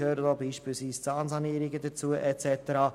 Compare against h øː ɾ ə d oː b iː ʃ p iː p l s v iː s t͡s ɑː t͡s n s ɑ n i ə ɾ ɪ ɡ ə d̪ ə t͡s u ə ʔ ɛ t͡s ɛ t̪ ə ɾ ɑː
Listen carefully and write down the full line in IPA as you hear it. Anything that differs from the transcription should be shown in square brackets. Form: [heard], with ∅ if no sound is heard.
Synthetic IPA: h øː ɾ ə d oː b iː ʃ p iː [∅] l s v iː s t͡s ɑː [∅] n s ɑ n i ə ɾ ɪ ɡ ə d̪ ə t͡s u ə ʔ ɛ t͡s ɛ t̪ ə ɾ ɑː